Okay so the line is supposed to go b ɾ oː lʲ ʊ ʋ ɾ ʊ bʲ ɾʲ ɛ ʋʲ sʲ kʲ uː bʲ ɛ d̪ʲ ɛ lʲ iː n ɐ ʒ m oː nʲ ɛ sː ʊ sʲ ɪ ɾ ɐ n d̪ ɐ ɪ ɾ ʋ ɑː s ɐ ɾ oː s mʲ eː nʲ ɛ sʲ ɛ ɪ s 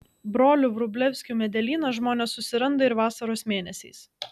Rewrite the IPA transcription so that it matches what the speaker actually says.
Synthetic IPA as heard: b ɾ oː lʲ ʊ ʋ ɾ ʊ bʲ lʲ ɛ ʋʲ sʲ kʲ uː mʲ ɛ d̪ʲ ɛ lʲ iː n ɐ ʒ m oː nʲ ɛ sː ʊ sʲ ɪ ɾ ɐ n d̪ ɐ ɪ ɾ ʋ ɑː s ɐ ɾ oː s mʲ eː nʲ ɛ sʲ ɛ ɪ s